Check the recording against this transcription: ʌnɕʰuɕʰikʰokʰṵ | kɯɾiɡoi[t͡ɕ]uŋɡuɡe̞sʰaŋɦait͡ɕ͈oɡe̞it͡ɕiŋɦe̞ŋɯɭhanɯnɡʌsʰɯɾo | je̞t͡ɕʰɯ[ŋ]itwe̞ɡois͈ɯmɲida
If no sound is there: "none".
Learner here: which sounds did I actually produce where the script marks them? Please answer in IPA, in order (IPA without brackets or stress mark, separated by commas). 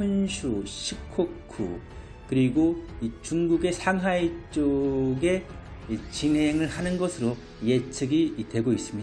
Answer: t͡ɕ, ɡ